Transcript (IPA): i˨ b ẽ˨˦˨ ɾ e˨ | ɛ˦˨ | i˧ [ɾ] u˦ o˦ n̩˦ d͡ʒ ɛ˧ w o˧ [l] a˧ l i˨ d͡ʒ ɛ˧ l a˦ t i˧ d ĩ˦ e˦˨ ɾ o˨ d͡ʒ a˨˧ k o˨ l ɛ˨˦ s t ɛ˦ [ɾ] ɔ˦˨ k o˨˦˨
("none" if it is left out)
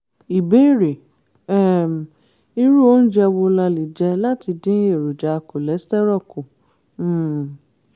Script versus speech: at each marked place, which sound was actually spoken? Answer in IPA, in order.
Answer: ɾ, l, ɾ

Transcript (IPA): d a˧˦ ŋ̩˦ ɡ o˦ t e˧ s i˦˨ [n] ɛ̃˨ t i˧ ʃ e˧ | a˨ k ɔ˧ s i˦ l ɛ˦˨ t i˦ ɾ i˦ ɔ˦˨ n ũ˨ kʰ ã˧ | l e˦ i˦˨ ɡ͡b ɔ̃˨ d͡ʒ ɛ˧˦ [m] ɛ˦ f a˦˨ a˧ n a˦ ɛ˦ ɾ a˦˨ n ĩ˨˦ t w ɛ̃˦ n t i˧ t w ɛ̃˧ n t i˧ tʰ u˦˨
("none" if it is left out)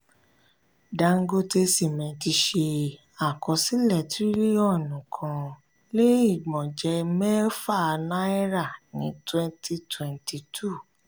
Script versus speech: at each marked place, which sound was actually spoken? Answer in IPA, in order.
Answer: m, m

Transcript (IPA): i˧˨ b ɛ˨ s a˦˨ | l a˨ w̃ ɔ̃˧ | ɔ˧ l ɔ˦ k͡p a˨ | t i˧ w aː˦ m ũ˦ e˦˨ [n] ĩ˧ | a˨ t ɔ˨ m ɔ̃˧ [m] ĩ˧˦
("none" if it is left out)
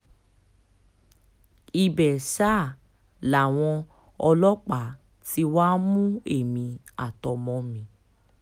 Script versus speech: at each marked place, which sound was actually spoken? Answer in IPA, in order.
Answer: m, m

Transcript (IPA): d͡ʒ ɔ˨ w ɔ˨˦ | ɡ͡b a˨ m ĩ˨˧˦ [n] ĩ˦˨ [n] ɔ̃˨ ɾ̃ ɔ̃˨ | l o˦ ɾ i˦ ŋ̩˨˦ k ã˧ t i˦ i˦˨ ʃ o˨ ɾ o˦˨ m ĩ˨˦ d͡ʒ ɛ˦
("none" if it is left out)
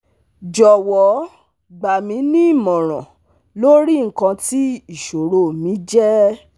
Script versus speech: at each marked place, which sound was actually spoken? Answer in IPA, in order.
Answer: n, m

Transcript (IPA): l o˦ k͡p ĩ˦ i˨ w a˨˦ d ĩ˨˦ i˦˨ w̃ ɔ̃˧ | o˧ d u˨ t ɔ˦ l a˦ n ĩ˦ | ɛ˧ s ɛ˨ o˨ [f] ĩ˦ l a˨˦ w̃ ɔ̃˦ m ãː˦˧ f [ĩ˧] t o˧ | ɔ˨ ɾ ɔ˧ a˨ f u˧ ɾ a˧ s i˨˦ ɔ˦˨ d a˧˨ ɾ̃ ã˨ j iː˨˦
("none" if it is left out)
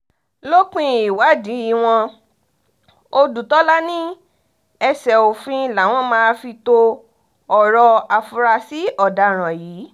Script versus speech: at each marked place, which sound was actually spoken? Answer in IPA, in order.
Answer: f, i˧

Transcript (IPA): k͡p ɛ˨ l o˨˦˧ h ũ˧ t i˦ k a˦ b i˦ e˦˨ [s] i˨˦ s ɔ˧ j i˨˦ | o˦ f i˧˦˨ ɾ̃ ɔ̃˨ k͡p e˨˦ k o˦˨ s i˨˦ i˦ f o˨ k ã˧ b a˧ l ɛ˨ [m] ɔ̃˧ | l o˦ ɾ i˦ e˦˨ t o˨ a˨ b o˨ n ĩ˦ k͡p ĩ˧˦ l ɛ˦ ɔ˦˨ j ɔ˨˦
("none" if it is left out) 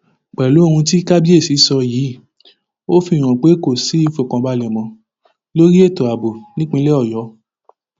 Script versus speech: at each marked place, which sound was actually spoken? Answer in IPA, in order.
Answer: s, m

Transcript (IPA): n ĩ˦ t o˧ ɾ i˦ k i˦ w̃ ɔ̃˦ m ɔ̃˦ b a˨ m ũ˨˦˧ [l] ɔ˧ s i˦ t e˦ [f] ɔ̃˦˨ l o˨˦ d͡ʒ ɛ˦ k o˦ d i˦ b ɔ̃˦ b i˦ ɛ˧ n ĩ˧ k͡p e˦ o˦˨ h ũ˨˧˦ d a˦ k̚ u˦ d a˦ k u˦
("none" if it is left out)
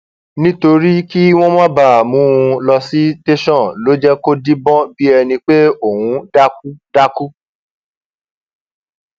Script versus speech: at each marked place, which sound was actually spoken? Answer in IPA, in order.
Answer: l, ʃ

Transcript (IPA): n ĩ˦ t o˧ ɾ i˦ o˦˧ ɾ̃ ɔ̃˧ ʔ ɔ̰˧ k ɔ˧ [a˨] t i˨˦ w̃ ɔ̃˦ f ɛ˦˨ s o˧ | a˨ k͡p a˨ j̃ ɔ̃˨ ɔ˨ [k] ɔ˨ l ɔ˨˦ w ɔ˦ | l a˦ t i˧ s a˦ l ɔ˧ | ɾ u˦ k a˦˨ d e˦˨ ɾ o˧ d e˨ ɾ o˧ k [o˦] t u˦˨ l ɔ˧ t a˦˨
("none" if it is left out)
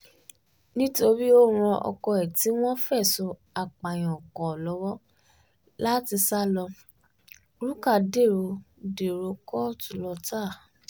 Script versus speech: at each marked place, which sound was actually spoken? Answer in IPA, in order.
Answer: ɛ˨, k, ɔ˦

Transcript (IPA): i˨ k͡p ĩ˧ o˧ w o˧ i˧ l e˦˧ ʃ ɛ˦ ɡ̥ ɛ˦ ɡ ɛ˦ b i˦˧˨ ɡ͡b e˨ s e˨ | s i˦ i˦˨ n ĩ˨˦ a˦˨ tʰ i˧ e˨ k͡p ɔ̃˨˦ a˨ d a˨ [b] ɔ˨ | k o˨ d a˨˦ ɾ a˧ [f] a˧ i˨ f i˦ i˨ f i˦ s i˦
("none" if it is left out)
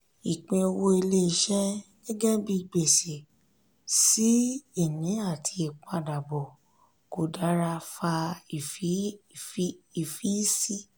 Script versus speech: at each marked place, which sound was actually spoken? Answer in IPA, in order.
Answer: b, f

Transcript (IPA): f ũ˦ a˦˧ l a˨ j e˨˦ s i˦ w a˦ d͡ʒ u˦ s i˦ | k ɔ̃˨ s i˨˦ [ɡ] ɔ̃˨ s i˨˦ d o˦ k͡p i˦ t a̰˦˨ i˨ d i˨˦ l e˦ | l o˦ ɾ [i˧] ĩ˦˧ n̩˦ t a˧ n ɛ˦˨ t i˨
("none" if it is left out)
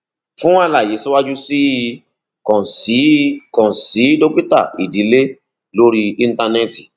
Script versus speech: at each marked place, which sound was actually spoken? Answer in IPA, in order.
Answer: k, i˧

